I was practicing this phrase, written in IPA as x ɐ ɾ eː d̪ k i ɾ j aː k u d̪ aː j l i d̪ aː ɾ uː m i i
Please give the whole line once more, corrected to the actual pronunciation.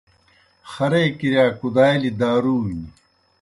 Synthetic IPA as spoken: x ɐ ɾ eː k i ɾ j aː k u d̪ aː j l i d̪ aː ɾ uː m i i

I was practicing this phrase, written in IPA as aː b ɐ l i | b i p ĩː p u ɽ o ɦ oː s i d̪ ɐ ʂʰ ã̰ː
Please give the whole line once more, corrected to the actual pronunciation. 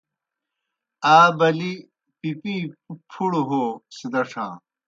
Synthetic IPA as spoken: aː b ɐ l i | p i p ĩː pʰ u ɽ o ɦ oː s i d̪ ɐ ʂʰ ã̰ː

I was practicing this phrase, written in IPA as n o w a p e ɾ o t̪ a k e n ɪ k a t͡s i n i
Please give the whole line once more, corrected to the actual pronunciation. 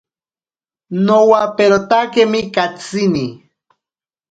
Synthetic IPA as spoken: n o w a p e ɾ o t̪ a k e m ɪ k a t͡s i n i

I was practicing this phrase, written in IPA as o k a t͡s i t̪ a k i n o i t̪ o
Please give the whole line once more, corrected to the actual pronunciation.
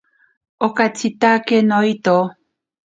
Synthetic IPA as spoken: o k a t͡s i t̪ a k e n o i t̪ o

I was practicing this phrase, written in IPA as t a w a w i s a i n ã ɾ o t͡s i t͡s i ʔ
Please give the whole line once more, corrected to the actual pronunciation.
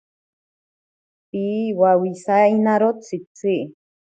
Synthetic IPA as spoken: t i w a w i s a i n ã ɾ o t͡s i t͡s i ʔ

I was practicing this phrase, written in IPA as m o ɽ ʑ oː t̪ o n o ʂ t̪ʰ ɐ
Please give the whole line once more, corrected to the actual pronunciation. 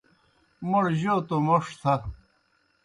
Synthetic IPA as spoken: m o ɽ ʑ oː t̪ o m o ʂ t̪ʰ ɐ

